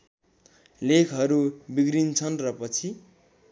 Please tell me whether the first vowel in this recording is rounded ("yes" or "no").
no